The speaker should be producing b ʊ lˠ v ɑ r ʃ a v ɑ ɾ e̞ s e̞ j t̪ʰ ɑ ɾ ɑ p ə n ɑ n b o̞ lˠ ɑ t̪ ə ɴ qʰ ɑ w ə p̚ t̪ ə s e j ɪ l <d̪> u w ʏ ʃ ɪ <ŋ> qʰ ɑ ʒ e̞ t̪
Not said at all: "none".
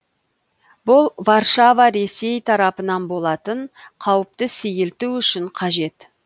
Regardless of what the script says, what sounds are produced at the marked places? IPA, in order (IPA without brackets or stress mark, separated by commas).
t̪, ɴ